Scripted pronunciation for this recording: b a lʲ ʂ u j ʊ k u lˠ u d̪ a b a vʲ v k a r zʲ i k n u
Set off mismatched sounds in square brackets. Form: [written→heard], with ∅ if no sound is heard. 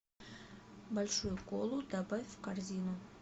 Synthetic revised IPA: b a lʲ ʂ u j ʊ k [u→o] lˠ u d̪ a b a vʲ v k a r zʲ i [k→∅] n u